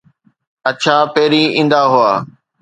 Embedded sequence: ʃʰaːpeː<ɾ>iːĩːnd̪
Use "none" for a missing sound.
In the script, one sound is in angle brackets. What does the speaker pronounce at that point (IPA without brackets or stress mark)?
ɾ